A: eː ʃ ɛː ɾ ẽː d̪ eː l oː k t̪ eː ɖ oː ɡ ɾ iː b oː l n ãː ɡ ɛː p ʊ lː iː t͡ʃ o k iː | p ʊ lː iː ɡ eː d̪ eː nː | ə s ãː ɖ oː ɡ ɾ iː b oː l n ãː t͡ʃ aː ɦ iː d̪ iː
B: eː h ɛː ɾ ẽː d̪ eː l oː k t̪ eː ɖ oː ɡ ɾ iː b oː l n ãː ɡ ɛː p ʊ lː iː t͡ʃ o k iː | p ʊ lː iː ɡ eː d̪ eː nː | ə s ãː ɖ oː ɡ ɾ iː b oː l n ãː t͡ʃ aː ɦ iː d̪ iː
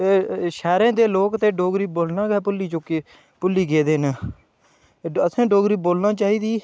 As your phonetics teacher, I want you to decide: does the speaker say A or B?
A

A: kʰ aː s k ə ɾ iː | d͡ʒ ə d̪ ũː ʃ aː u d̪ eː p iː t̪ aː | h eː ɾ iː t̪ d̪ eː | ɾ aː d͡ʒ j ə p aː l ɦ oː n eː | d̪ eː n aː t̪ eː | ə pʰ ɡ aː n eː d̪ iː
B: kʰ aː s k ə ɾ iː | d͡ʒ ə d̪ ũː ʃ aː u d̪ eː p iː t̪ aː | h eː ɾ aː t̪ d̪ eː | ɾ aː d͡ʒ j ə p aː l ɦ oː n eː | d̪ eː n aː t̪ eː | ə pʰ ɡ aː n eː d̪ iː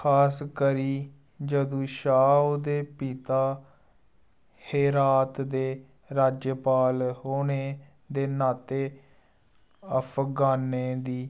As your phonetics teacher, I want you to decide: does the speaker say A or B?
B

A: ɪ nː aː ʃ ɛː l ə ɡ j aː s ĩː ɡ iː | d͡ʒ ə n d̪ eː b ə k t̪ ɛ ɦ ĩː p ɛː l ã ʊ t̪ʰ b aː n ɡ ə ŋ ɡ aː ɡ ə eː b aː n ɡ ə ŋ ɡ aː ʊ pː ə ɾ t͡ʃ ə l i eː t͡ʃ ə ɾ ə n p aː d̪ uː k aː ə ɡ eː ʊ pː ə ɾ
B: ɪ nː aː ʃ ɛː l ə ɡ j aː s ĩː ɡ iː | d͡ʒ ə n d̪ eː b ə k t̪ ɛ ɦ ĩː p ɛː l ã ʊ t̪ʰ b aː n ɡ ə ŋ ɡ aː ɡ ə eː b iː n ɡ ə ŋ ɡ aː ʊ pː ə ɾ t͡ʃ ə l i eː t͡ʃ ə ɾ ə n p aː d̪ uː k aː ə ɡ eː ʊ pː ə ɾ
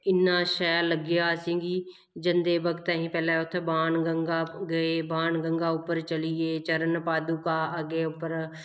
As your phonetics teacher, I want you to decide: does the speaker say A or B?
A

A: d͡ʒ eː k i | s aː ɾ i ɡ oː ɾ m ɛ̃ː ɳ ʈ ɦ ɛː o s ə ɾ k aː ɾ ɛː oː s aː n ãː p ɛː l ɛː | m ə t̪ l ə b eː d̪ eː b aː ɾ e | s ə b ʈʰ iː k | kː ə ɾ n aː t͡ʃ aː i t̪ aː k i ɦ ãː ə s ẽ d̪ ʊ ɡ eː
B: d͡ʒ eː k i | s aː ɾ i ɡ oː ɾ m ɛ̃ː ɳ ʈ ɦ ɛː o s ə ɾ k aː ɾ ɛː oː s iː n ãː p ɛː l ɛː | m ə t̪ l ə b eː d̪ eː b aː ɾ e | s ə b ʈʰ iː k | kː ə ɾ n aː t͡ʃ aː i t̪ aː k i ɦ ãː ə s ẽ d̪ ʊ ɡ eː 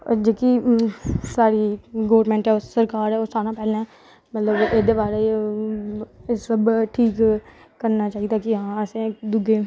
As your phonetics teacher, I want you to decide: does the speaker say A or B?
A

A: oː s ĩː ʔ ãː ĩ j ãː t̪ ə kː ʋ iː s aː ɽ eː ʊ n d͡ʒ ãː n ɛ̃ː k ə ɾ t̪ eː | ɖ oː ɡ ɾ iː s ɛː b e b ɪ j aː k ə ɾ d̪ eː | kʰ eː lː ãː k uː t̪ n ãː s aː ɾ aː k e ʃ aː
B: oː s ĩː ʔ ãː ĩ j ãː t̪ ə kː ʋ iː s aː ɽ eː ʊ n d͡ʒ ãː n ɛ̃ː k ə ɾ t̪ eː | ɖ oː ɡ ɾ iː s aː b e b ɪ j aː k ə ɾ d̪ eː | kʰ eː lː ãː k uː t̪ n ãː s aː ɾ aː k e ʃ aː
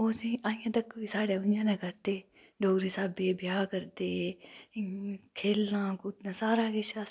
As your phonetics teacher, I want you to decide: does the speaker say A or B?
B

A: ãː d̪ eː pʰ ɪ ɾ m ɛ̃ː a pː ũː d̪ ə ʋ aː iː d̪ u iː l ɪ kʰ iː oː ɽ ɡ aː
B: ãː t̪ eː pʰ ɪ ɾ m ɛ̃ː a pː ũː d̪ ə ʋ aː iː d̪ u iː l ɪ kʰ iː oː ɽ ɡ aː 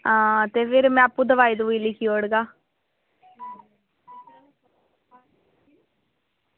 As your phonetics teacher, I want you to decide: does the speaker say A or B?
B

